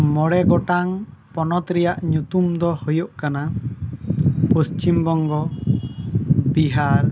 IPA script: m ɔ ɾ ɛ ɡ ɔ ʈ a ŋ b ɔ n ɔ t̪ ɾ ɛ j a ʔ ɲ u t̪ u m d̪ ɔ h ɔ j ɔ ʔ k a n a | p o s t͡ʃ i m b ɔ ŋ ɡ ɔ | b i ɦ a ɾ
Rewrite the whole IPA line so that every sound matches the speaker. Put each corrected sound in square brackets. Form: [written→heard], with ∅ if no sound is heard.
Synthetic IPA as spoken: m ɔ [ɾ→ɽ] ɛ ɡ ɔ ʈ a ŋ [b→p] ɔ n ɔ t̪ ɾ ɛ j a ʔ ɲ u t̪ u m d̪ ɔ h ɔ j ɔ ʔ k a n a | p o s t͡ʃ i m b ɔ ŋ ɡ ɔ | b i ɦ a ɾ

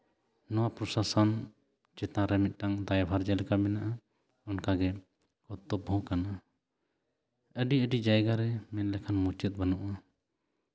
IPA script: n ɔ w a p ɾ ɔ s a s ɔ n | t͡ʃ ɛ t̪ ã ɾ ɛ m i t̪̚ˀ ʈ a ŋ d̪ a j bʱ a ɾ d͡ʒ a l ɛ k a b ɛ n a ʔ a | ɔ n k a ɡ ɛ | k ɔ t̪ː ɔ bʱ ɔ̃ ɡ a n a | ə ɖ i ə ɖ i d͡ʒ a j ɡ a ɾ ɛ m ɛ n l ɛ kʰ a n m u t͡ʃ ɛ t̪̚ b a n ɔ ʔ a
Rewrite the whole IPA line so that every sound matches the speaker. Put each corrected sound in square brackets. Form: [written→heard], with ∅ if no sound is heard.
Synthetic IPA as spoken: n ɔ w a p ɾ ɔ s a s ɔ n | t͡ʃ ɛ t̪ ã ɾ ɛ m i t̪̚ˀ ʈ a ŋ d̪ a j bʱ a ɾ d͡ʒ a l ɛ k a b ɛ n a ʔ a | ɔ n k a ɡ ɛ | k ɔ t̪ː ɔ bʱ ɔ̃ [ɡ→k] a n a | ə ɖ i ə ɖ i d͡ʒ a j ɡ a ɾ ɛ m ɛ n l ɛ kʰ a n m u t͡ʃ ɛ t̪̚ b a n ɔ ʔ a

